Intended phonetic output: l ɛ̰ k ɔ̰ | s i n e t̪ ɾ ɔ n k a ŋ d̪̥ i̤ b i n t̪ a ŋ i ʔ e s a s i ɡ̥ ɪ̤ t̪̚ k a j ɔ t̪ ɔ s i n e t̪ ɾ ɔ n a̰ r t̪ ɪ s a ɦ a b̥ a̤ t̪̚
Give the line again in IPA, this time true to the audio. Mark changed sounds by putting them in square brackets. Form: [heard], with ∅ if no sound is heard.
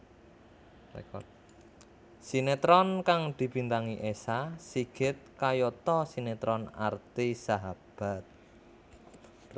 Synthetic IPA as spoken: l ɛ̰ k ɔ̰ | s i n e t̪ ɾ ɔ n k a ŋ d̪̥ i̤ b i n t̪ a ŋ i ʔ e s a s i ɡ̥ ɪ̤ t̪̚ k a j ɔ t̪ ɔ s i n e t̪ ɾ ɔ n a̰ r t̪ [i] s a ɦ a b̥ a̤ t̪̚